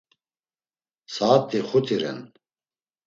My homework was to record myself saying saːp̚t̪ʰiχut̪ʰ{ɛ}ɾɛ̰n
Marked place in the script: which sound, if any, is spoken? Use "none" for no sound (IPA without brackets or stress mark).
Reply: i